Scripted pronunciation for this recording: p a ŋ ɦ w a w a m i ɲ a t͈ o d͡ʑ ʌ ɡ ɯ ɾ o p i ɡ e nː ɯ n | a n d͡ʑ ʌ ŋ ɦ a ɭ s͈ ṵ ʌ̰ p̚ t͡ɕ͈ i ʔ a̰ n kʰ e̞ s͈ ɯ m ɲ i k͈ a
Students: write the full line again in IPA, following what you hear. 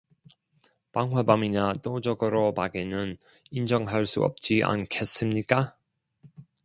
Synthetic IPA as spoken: p a ŋ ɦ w a b a m i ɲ a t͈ o d͡ʑ ʌ ɡ ɯ ɾ o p a ɡ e n ɯ n | i n d͡ʑ ʌ ŋ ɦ a ɭ s͈ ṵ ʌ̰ p̚ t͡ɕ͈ i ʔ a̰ n kʰ e̞ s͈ ɯ m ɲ i k͈ a